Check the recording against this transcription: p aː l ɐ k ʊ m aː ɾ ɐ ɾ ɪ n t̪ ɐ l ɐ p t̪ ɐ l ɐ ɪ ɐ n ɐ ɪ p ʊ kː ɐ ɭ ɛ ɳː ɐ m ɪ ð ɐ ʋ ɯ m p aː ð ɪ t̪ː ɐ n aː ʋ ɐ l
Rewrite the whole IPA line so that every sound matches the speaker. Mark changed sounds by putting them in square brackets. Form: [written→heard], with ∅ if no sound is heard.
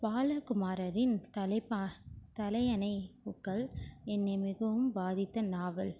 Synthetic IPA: p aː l ɐ k ʊ m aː ɾ ɐ ɾ ɪ n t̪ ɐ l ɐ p t̪ ɐ l ɐ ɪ ɐ n ɐ ɪ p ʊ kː ɐ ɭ ɛ [ɳː→nː] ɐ m ɪ [ð→ɣ] ɐ ʋ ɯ m [p→b] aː ð ɪ t̪ː ɐ n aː ʋ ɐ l

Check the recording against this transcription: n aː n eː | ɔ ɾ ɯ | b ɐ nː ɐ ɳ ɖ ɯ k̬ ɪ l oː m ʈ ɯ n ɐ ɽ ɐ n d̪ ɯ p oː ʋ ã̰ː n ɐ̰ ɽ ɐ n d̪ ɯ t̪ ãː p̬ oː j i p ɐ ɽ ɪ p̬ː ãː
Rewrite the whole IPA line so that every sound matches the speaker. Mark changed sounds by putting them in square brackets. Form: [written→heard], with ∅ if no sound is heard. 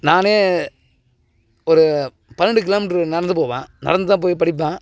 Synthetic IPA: n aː n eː | ɔ ɾ ɯ | [b→p] ɐ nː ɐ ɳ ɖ ɯ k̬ ɪ l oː m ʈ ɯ n ɐ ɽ ɐ n d̪ ɯ p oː ʋ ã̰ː n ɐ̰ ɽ ɐ n d̪ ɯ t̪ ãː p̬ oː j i p ɐ ɽ ɪ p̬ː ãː

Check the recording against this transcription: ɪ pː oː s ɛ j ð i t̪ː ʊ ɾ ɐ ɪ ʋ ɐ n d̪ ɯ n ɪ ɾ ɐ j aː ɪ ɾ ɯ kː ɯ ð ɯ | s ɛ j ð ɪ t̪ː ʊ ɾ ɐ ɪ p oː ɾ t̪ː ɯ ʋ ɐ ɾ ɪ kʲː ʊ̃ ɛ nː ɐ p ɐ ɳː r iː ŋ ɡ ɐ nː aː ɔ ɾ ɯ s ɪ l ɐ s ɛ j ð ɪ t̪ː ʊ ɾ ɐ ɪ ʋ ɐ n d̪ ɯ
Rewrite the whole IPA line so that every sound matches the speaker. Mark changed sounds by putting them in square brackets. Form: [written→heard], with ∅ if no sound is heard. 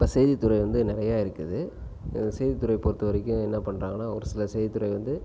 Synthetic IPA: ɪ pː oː s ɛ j ð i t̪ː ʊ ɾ ɐ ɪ ʋ ɐ n d̪ ɯ n ɪ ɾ ɐ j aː ɪ ɾ ɯ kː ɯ ð ɯ | s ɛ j ð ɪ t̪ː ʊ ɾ ɐ ɪ p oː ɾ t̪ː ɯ ʋ ɐ ɾ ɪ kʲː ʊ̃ ɛ nː ɐ p ɐ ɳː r [iː→aː] ŋ ɡ ɐ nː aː ɔ ɾ ɯ s ɪ l ɐ s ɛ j ð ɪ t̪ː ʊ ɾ ɐ ɪ ʋ ɐ n d̪ ɯ

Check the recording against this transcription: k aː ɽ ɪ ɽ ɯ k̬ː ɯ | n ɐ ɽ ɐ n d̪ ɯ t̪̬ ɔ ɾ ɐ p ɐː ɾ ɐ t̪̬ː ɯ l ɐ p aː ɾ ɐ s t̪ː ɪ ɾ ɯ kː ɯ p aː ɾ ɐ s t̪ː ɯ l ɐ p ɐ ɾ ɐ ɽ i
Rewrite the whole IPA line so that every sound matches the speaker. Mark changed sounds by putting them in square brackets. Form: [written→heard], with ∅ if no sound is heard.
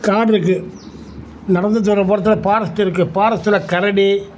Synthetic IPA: k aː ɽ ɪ [ɽ→ɾ] ɯ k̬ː ɯ | n ɐ ɽ ɐ n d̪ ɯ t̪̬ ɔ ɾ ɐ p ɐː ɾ ɐ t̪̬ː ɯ l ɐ p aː ɾ ɐ s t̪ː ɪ ɾ ɯ kː ɯ p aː ɾ ɐ s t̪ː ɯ l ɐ [p→k] ɐ ɾ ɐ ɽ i

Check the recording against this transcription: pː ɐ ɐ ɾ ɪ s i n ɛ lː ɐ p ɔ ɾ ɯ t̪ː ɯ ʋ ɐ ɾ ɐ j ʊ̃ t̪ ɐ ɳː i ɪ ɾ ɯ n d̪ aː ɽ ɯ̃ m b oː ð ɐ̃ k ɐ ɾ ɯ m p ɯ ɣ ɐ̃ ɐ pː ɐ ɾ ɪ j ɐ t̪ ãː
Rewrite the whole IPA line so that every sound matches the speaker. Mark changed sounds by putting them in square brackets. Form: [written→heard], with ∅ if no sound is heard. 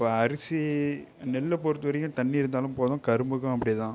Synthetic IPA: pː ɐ ɐ ɾ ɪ s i n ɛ lː ɐ p ɔ ɾ ɯ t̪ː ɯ ʋ ɐ ɾ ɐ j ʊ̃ t̪ ɐ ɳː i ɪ ɾ ɯ n d̪ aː [ɽ→l] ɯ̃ m [b→p] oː ð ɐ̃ k ɐ ɾ ɯ m [p→b] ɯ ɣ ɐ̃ ɐ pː ɐ [ɾ→ɽ] ɪ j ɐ t̪ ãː

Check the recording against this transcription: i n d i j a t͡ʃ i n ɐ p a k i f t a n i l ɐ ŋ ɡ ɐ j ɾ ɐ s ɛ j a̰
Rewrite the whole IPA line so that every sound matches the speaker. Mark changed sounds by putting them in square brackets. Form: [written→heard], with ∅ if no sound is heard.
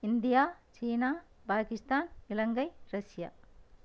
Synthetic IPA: i n d i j a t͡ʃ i n [ɐ→a] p a k i [f→s] t a n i l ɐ ŋ ɡ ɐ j ɾ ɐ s [ɛ→i] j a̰

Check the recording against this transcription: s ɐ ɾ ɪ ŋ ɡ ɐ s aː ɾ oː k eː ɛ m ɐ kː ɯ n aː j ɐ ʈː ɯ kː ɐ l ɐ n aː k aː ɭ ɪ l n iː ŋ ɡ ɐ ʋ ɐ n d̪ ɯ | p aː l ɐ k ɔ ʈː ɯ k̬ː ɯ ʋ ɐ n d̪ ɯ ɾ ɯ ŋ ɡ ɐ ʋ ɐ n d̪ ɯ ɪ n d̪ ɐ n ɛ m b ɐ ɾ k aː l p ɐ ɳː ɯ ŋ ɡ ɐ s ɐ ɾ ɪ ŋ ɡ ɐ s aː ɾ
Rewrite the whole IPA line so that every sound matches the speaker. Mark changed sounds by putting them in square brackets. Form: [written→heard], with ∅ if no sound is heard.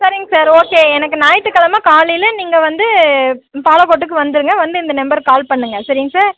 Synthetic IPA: s ɐ ɾ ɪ ŋ ɡ ɐ s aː ɾ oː k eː ɛ [m→n] ɐ kː ɯ n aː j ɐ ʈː ɯ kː ɐ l ɐ [n→m] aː k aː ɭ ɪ l n iː ŋ ɡ ɐ ʋ ɐ n d̪ ɯ | p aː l ɐ k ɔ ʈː ɯ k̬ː ɯ ʋ ɐ n d̪ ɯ ɾ ɯ ŋ ɡ ɐ ʋ ɐ n d̪ ɯ ɪ n d̪ ɐ n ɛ m b ɐ ɾ k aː l p ɐ ɳː ɯ ŋ ɡ ɐ s ɐ ɾ ɪ ŋ ɡ ɐ s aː ɾ

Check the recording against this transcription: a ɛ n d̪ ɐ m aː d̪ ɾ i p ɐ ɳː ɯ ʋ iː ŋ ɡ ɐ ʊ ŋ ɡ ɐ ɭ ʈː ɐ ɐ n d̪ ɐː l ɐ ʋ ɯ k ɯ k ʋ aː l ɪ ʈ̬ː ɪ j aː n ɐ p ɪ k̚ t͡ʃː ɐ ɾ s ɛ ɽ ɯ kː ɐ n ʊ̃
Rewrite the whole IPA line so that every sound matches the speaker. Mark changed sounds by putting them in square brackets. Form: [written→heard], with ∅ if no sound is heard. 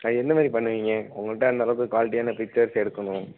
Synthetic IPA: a ɛ n d̪ ɐ m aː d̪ ɾ i p ɐ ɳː ɯ ʋ iː ŋ ɡ ɐ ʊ ŋ ɡ ɐ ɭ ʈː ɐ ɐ n d̪ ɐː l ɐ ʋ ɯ k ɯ k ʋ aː l ɪ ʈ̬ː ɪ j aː n ɐ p ɪ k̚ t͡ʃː ɐ ɾ s ɛ ɽ ɯ kː ɐ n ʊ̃

